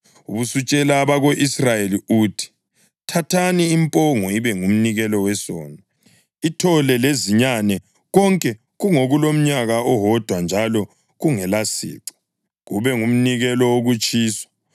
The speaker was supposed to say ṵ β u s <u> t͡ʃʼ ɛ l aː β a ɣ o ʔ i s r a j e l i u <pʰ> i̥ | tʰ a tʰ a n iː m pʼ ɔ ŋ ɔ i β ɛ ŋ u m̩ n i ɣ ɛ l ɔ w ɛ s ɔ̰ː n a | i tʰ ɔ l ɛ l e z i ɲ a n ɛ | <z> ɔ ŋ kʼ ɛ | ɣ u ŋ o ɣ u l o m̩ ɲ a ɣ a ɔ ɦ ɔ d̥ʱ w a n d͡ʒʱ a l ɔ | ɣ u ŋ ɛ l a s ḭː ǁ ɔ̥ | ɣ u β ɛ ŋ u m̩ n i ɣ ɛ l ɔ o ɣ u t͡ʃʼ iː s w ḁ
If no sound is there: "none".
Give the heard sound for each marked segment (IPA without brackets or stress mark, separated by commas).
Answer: u, tʰ, ɣ